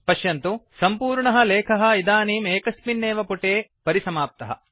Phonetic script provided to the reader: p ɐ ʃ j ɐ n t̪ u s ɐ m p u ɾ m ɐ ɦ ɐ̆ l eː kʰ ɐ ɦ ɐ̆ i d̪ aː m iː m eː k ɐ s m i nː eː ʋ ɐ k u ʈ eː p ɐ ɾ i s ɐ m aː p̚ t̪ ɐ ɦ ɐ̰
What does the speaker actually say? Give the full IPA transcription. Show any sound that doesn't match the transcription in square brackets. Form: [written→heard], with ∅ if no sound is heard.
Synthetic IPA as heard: p ɐ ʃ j ɐ n t̪ u s ɐ m p [u→uː] ɾ [m→ɳ] ɐ ɦ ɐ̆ l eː kʰ ɐ ɦ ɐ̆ i d̪ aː [m→n] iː m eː k ɐ s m i nː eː ʋ ɐ [k→p] u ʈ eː p ɐ ɾ i s ɐ m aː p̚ t̪ ɐ ɦ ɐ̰